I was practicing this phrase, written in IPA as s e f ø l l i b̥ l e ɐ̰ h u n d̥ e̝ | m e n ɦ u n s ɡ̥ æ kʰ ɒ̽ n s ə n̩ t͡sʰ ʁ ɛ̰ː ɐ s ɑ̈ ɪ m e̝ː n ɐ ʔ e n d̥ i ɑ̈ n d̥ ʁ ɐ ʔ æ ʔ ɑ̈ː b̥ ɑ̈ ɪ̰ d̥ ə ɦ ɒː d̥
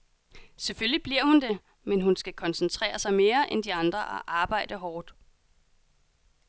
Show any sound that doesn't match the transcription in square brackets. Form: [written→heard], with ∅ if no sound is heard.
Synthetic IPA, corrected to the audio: s e f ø l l i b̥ l [e→i] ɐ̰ h u n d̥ e̝ | m e n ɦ u n s ɡ̥ æ kʰ ɒ̽ n s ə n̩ t͡sʰ ʁ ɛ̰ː ɐ s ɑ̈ ɪ m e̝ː [n→∅] ɐ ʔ e n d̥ i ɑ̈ n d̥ ʁ ɐ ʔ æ ʔ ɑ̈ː b̥ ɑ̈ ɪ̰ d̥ ə ɦ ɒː d̥